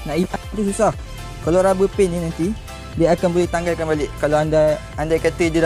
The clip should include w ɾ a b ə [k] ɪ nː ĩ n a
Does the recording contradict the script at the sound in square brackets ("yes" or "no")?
yes